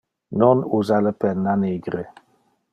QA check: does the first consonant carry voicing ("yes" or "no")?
yes